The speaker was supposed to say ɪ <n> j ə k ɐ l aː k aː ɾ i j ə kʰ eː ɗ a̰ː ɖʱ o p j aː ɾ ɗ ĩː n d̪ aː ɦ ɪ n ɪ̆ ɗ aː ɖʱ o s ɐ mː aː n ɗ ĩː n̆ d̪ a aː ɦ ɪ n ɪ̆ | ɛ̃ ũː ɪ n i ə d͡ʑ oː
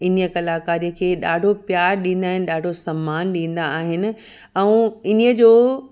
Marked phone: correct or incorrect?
correct